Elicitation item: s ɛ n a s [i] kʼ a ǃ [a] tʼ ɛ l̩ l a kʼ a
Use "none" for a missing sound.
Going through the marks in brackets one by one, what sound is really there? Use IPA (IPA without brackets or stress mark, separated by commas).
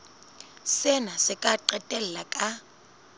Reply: ɪ, ɛ